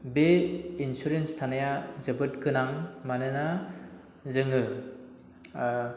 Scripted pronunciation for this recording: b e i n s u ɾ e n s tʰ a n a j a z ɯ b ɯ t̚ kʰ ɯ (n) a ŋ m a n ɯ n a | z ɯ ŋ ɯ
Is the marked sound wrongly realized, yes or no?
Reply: no